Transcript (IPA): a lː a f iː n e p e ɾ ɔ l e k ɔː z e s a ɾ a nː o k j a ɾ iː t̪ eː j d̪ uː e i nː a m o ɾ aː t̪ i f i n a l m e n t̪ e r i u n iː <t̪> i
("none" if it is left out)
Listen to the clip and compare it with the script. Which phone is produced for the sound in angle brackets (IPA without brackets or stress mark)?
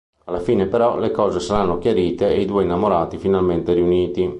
t̪